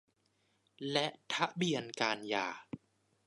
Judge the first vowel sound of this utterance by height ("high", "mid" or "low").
mid